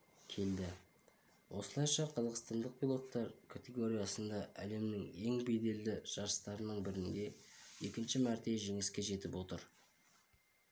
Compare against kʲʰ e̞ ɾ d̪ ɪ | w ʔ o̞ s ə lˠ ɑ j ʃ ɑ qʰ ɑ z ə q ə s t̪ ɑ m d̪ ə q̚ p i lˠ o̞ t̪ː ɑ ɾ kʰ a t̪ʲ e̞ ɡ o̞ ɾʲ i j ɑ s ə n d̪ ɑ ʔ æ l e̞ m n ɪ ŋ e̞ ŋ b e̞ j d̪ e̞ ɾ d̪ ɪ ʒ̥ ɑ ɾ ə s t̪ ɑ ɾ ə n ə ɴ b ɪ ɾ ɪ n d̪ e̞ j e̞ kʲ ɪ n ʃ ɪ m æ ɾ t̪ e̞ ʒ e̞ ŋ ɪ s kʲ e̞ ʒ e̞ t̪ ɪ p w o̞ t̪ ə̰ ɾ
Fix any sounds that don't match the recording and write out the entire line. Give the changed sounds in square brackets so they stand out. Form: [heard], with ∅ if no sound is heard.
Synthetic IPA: kʲʰ e̞ [l] d̪ ɪ | w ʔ o̞ s ə lˠ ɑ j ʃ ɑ qʰ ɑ z [ɑ] q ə s t̪ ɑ [n] d̪ ə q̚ p i lˠ o̞ t̪ː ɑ ɾ kʰ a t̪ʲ e̞ ɡ o̞ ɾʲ i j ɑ s ə n d̪ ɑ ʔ æ l e̞ m n ɪ ŋ e̞ ŋ b e̞ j d̪ e̞ [l] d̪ ɪ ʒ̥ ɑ ɾ ə s t̪ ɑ ɾ ə n ə ɴ b ɪ ɾ ɪ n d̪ e̞ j e̞ kʲ ɪ n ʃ ɪ m æ ɾ t̪ e̞ ʒ e̞ ŋ ɪ s kʲ e̞ ʒ e̞ t̪ ɪ p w o̞ t̪ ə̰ ɾ